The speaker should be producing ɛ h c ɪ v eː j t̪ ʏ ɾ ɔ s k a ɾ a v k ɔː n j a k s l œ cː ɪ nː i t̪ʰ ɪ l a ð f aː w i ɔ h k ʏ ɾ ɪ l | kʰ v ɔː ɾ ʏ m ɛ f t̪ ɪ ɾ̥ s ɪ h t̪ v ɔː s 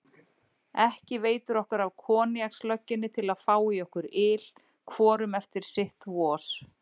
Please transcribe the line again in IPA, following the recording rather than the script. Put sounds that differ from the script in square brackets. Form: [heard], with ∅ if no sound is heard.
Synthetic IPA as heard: ɛ h c ɪ v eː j t̪ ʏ ɾ ɔ [h] k a ɾ a v [kʰ] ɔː n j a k s l œ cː ɪ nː [ɪ] t̪ʰ ɪ l a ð f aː w i ɔ h k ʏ ɾ ɪ l | kʰ v ɔː ɾ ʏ m ɛ f t̪ ɪ ɾ̥ s ɪ h t̪ v ɔː s